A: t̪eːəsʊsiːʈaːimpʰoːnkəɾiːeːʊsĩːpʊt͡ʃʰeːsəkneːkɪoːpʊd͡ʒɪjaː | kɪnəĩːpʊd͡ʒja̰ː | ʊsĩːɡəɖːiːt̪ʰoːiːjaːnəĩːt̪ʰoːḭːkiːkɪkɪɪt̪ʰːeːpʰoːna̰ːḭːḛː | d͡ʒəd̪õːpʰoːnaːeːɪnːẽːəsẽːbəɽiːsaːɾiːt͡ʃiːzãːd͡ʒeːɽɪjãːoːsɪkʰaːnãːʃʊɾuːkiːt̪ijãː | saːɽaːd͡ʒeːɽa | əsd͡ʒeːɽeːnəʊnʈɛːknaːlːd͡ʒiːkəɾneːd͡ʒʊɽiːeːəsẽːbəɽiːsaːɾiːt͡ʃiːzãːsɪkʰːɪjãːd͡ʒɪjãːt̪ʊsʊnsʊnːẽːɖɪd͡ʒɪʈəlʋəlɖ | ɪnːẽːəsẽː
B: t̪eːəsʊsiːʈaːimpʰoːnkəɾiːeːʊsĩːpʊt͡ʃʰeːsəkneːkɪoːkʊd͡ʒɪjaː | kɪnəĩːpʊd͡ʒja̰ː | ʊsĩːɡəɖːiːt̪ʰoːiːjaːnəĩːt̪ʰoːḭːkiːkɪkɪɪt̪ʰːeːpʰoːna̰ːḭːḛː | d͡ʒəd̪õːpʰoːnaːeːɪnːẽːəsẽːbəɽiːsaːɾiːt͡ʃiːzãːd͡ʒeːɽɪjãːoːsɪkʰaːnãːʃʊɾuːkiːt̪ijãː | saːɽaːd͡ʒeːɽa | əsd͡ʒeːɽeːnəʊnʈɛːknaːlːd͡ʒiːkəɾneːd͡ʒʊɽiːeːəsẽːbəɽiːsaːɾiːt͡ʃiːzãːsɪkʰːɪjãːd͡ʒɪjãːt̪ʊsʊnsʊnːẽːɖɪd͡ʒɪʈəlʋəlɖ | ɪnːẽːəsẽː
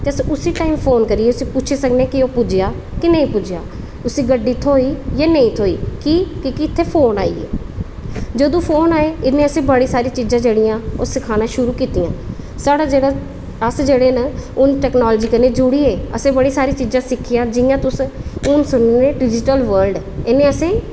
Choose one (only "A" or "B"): A